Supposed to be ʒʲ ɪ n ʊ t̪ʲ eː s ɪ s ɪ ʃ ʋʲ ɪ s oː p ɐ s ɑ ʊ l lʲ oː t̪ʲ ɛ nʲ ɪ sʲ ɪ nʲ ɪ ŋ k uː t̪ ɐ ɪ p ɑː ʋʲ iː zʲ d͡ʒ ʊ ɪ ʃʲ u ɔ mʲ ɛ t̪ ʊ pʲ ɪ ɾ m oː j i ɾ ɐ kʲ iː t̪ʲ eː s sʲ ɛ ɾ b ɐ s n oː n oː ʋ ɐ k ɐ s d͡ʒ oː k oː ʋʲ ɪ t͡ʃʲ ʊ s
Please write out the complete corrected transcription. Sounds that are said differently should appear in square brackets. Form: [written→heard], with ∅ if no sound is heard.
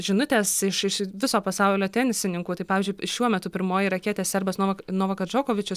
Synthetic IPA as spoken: ʒʲ ɪ n ʊ t̪ʲ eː s ɪ [s→ʃ] ɪ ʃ ʋʲ ɪ s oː p ɐ s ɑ ʊ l lʲ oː t̪ʲ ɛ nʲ ɪ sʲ ɪ nʲ ɪ ŋ k uː t̪ ɐ ɪ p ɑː ʋʲ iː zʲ d͡ʒ ʊ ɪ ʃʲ u ɔ mʲ ɛ t̪ ʊ pʲ ɪ ɾ m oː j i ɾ ɐ kʲ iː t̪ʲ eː s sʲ ɛ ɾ b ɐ s n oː n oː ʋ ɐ k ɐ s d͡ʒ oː k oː ʋʲ ɪ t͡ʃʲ ʊ s